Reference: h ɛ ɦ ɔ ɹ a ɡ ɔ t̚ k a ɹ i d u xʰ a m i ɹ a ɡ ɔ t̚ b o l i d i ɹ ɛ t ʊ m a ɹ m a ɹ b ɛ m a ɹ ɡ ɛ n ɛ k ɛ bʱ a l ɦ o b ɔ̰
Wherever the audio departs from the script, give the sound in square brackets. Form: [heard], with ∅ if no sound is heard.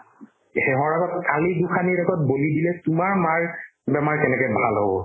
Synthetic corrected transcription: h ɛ ɦ ɔ ɹ a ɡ ɔ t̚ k a [l] i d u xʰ a [n] i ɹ a ɡ ɔ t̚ b o l i d i [l] ɛ t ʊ m a ɹ m a ɹ b ɛ m a ɹ [k] ɛ n ɛ k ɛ bʱ a l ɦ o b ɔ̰